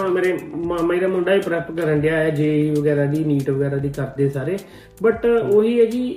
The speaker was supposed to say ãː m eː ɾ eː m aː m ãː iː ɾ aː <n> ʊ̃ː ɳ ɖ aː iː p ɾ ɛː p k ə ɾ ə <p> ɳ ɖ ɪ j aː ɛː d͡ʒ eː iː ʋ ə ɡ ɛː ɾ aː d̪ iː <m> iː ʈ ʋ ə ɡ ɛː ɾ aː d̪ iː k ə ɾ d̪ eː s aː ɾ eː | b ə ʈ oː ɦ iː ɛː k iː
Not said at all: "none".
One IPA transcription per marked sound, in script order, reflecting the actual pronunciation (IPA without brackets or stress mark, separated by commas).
m, none, n